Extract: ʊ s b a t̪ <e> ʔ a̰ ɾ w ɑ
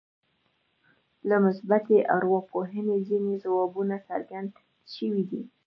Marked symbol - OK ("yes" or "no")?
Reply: yes